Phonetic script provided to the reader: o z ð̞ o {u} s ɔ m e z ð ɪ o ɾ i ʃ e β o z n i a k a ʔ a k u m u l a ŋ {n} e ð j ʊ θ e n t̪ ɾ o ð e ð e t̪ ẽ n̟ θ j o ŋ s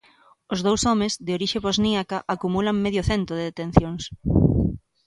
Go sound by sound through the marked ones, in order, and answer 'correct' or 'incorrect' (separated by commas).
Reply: incorrect, incorrect